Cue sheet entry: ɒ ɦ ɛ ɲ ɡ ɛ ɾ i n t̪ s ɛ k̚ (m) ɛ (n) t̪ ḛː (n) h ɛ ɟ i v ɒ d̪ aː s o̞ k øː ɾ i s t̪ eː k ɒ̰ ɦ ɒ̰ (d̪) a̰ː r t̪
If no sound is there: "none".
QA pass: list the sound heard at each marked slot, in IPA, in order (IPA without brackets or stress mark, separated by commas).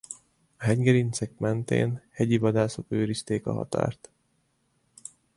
m, n, n, t̪